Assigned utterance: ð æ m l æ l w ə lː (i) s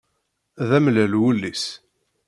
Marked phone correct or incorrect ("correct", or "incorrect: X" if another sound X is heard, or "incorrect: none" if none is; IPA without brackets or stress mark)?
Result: correct